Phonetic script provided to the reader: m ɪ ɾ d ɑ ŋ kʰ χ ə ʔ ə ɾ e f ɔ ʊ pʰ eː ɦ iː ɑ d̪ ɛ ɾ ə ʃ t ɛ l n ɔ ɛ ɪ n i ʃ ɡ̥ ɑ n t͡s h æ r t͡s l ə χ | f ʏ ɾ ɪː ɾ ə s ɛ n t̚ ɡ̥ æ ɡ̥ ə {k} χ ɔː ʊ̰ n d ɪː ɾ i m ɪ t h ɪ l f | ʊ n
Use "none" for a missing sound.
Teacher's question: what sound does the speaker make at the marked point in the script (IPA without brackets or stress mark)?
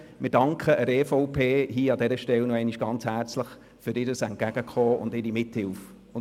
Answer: k